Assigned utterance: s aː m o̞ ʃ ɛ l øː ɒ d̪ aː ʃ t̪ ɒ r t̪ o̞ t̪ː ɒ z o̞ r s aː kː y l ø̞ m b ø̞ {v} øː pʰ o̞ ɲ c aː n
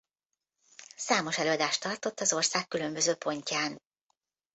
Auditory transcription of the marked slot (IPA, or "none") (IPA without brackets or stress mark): z